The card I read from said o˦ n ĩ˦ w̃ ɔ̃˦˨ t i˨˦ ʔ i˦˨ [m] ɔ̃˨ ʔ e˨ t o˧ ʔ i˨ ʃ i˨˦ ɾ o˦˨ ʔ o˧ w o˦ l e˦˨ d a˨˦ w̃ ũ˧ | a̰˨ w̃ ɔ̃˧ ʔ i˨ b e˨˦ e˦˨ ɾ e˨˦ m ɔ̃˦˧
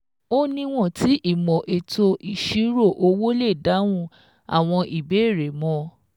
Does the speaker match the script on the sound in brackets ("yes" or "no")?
yes